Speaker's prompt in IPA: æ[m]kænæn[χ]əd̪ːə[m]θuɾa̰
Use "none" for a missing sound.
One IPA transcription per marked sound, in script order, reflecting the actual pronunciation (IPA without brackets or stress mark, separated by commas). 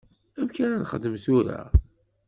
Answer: m, χ, m